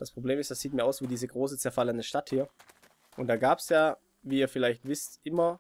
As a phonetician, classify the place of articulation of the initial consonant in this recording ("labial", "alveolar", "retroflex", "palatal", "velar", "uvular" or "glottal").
alveolar